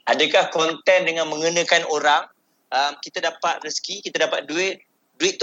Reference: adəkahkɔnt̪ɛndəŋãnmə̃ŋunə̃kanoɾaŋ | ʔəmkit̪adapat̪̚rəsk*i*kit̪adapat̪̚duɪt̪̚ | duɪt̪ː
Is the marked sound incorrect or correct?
correct